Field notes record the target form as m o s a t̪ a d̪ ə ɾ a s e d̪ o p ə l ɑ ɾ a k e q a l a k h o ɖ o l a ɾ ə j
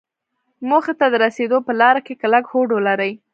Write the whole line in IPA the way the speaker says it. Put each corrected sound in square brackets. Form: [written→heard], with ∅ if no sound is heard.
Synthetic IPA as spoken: m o [s→x] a t̪ a d̪ ə ɾ a s e d̪ o p ə l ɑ ɾ a k e [q→k] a l a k h o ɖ o l a ɾ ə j